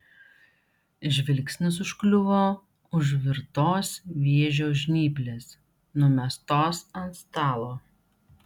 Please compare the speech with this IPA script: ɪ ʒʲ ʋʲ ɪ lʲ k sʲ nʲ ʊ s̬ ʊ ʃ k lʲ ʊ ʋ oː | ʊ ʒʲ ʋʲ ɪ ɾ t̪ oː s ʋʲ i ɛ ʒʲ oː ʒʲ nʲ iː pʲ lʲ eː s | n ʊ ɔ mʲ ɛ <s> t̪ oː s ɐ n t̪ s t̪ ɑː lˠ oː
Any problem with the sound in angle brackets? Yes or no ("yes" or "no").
no